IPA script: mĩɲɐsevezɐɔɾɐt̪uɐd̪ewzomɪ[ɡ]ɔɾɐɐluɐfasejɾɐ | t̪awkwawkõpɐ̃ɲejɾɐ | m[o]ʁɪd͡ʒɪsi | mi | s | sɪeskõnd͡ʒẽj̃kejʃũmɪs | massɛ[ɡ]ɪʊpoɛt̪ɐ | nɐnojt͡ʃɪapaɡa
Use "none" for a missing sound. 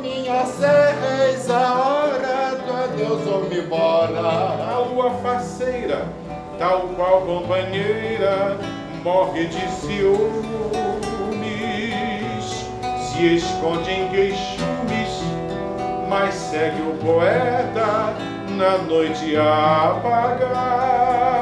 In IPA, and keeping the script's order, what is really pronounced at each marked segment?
b, ɔ, ɡ

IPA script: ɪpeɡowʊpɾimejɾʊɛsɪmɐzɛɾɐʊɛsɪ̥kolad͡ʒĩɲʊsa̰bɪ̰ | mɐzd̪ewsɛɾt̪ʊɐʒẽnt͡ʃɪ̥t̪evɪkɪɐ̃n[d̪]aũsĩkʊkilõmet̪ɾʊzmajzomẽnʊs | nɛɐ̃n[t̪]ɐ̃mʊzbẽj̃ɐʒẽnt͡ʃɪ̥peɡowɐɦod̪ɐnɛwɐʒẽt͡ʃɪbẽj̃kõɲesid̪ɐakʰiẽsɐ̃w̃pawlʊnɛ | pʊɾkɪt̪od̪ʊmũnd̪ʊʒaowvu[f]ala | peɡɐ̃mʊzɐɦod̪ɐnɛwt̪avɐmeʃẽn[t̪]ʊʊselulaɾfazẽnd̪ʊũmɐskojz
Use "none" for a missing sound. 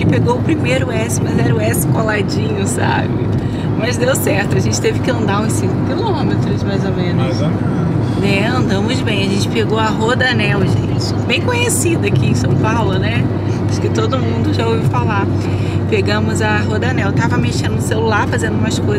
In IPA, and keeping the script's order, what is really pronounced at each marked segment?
d̪, d̪, f, d̪

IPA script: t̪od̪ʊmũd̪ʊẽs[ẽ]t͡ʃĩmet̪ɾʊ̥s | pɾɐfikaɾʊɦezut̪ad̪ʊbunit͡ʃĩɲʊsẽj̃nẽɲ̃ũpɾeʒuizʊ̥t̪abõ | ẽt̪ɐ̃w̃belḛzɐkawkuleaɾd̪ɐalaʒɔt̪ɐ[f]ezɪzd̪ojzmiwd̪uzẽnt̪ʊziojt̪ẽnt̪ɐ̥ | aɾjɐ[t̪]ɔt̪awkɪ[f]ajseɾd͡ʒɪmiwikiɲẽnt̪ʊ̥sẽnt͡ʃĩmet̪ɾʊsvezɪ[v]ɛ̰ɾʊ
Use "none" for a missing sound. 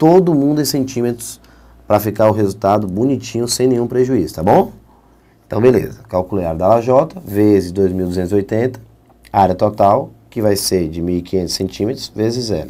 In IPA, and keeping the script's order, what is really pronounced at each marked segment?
ẽ, v, t̪, v, z

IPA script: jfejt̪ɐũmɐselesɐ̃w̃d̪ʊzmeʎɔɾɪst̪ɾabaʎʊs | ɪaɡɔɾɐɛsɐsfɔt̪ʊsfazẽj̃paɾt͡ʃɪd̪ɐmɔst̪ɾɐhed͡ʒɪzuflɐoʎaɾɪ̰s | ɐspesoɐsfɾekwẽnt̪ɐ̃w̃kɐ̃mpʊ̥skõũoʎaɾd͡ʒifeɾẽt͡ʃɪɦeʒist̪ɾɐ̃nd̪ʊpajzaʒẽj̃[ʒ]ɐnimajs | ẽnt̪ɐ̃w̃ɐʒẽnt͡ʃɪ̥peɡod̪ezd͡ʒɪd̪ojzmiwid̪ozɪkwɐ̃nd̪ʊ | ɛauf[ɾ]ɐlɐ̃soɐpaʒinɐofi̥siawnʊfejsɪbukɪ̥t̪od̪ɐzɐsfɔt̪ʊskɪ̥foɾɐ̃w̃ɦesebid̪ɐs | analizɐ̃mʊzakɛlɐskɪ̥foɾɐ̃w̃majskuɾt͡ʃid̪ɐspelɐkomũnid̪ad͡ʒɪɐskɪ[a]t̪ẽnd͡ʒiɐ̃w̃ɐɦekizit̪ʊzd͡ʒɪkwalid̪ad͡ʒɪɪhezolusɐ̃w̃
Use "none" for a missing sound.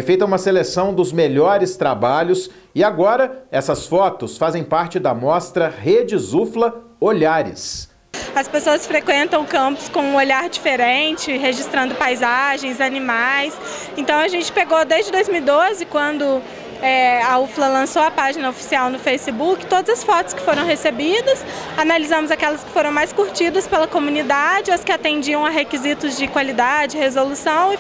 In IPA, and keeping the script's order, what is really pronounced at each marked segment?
z, l, a

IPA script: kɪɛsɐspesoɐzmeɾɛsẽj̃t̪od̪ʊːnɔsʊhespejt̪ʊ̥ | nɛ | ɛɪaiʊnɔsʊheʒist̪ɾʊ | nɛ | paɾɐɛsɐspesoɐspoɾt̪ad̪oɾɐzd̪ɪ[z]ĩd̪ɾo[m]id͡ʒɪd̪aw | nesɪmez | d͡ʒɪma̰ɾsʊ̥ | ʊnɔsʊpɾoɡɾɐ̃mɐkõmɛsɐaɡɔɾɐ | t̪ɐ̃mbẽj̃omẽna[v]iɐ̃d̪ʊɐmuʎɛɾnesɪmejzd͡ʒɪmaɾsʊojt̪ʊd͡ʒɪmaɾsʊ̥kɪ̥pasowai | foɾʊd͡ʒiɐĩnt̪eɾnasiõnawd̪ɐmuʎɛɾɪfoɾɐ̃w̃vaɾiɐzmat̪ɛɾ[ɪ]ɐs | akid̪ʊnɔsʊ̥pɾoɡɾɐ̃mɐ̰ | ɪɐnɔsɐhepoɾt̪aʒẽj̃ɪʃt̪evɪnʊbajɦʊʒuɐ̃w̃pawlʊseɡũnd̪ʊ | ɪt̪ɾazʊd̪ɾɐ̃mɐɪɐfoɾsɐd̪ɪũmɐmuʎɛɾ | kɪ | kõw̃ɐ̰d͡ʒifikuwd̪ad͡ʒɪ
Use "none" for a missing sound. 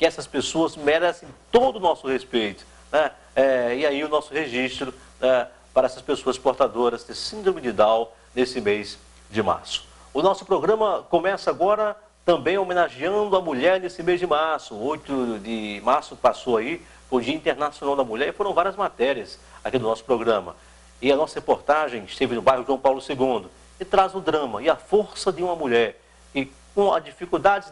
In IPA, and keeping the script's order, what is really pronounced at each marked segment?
s, m, ʒ, i

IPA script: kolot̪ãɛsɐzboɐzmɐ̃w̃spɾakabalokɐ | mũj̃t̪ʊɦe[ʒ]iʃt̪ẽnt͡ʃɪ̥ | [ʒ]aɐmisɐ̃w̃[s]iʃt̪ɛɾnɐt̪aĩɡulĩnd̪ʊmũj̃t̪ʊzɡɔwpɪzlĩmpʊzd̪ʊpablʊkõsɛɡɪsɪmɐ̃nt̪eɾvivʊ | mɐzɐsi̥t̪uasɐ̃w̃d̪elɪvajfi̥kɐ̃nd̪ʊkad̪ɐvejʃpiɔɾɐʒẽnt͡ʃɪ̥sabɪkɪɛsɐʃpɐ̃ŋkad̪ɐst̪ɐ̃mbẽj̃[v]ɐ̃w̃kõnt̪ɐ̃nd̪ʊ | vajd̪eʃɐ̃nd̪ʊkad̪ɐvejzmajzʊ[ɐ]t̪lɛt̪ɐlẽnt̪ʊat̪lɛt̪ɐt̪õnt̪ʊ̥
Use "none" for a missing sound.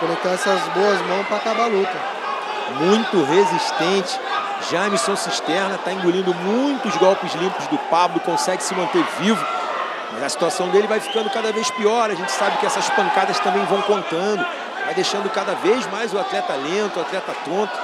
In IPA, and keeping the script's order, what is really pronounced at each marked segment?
z, ʒ, s, v, a

